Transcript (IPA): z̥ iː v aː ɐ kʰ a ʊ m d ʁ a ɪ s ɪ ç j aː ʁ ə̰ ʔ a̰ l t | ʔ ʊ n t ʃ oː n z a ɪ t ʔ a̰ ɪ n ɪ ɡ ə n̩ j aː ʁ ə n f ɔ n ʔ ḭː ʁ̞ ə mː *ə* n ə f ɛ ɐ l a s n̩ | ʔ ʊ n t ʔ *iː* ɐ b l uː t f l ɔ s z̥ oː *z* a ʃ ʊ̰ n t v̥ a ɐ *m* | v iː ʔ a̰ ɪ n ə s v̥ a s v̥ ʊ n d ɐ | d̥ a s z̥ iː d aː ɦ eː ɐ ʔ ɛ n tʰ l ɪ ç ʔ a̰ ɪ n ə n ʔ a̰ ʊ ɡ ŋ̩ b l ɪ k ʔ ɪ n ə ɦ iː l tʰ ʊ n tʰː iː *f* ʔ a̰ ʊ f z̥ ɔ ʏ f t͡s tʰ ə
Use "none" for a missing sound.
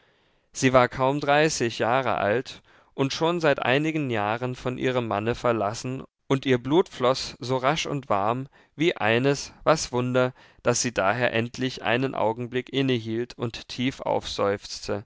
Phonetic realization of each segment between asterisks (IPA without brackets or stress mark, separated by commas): a, iː, ʁ, m, f